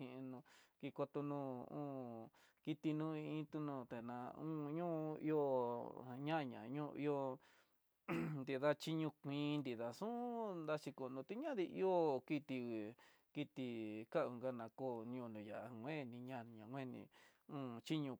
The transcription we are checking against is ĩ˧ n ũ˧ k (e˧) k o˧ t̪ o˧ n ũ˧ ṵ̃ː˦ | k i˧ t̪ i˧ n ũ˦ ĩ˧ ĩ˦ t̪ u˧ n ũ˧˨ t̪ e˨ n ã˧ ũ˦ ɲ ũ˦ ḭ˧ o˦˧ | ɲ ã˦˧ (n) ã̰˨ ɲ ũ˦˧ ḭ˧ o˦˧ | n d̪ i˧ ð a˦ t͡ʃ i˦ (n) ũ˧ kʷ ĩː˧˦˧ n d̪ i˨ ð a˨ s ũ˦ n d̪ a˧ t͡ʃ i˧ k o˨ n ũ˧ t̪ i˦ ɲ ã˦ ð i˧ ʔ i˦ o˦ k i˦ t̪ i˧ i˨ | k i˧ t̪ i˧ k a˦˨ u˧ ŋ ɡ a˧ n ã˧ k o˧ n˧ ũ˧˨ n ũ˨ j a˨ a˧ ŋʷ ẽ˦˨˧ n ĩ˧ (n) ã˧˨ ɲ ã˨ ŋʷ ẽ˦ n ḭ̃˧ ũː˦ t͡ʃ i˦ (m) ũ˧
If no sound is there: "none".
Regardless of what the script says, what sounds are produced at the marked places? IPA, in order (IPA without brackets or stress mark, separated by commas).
i˧, ɲ, ɲ, ɲ, ɲ